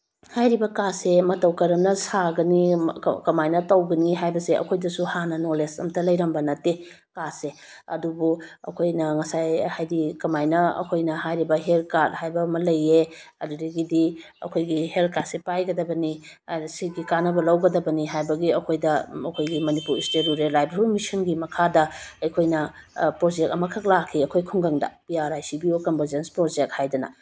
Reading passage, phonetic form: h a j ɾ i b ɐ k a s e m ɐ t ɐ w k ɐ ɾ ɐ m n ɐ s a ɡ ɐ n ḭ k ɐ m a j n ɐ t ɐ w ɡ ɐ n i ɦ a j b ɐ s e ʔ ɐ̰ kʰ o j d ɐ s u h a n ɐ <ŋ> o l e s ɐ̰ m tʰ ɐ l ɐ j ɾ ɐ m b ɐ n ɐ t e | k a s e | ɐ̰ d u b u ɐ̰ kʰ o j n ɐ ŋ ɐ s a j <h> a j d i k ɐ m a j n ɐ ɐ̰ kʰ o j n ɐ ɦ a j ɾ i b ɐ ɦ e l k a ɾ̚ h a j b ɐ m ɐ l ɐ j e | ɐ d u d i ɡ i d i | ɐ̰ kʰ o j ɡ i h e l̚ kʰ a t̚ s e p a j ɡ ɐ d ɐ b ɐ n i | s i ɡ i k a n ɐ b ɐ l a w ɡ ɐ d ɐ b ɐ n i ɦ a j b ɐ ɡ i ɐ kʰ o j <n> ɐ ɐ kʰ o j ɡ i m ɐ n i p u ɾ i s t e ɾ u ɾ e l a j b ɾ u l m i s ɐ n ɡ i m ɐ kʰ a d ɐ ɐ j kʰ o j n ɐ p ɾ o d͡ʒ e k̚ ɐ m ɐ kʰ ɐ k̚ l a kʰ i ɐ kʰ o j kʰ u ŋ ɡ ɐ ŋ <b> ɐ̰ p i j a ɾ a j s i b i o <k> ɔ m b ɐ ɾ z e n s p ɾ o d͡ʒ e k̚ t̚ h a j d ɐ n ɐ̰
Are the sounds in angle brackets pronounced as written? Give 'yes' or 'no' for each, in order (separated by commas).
no, yes, no, no, yes